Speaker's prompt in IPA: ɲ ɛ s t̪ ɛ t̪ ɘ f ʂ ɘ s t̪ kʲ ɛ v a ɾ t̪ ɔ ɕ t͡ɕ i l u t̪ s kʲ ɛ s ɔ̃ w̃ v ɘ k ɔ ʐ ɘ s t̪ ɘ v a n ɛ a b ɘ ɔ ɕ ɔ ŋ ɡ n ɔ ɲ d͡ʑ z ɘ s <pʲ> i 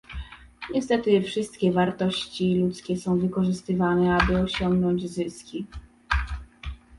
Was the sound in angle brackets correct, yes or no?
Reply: no